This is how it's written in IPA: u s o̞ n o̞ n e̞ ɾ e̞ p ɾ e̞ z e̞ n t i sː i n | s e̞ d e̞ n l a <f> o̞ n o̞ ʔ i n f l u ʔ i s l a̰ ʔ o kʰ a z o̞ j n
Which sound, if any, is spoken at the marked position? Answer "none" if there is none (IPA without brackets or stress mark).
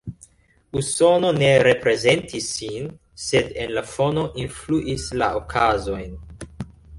f